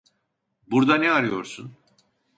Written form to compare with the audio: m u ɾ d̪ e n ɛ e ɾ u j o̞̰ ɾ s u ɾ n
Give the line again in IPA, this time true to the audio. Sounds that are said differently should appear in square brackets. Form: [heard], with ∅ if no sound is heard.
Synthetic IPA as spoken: [b] u ɾ d̪ [a] n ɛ [a] ɾ [ɯ] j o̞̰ ɾ s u [∅] n